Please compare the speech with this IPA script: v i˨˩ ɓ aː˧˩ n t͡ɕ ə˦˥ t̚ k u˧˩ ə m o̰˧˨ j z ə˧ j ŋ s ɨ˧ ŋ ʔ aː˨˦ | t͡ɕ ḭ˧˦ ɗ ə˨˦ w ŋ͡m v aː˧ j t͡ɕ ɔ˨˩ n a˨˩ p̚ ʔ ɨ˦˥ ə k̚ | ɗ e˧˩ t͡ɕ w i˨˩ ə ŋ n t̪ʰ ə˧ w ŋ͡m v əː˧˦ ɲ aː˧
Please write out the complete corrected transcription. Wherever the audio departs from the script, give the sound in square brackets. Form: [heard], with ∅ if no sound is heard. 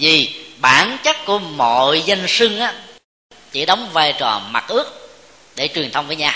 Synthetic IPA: v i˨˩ ɓ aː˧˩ n t͡ɕ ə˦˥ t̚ k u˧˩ ə m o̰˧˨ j z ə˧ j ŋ s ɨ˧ ŋ ʔ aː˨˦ | t͡ɕ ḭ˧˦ ɗ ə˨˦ w ŋ͡m v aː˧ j t͡ɕ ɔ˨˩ [m] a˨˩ [t̚] ʔ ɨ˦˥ ə k̚ | ɗ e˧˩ t͡ɕ w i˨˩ ə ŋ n t̪ʰ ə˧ w ŋ͡m v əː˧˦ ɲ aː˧